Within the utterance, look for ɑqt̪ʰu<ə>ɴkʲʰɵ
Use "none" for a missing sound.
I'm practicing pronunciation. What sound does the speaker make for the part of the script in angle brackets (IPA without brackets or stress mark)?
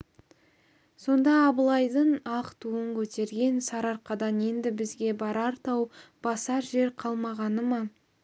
ə